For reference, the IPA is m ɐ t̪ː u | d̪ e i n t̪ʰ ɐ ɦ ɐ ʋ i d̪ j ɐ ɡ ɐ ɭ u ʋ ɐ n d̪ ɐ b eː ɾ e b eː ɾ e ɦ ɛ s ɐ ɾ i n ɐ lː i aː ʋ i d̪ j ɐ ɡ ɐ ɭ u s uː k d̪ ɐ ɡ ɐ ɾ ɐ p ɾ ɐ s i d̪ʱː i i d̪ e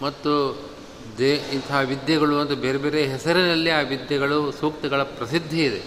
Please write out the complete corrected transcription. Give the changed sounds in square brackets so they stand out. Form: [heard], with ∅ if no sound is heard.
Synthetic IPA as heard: m ɐ t̪ː u | d̪ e i n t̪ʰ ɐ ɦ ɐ ʋ i d̪ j ɐ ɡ ɐ ɭ u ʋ ɐ n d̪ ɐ b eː ɾ e b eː ɾ e ɦ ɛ s ɐ ɾ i n ɐ lː i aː ʋ i d̪ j ɐ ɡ ɐ ɭ u s uː k [t̪] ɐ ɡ ɐ [ɭ] ɐ p ɾ ɐ s i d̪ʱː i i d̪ e